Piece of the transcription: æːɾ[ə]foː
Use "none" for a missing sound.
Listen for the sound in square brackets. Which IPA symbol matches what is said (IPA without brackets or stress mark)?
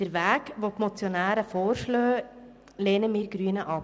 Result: ə